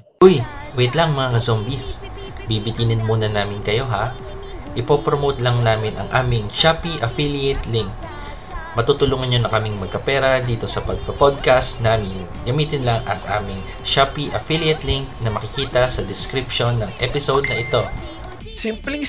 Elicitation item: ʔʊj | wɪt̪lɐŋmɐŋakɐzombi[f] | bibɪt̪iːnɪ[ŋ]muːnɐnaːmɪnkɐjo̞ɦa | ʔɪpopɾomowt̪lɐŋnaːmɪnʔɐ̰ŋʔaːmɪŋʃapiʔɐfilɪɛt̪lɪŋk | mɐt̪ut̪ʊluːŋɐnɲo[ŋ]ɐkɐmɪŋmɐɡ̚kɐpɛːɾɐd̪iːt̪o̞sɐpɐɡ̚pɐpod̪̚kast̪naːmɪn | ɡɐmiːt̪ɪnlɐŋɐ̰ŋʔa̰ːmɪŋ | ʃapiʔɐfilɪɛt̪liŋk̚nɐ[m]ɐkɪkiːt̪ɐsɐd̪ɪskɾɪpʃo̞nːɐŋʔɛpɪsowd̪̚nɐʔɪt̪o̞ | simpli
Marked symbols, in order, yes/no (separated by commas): no, no, no, yes